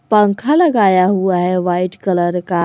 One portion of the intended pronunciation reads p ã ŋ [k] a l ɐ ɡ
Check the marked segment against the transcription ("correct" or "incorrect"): incorrect